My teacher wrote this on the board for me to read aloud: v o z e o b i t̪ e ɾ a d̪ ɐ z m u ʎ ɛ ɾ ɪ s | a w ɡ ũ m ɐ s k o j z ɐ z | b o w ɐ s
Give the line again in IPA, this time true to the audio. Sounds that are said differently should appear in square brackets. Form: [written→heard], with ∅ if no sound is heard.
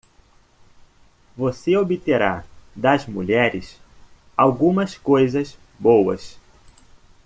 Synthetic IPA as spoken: v o [z→s] e o b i t̪ e ɾ a d̪ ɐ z m u ʎ ɛ ɾ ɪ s | a w ɡ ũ m ɐ s k o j z ɐ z | b o w ɐ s